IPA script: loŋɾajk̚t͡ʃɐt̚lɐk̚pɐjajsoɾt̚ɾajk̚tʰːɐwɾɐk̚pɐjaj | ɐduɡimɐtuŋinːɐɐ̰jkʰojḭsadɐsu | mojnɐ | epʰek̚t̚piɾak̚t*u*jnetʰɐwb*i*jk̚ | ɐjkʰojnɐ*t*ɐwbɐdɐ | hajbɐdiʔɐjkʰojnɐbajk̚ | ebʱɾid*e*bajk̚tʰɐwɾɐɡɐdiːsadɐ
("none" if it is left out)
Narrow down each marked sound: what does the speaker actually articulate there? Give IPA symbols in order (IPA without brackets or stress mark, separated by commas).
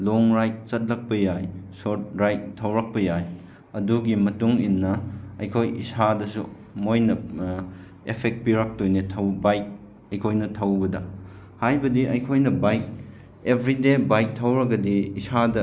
o, a, tʰ, e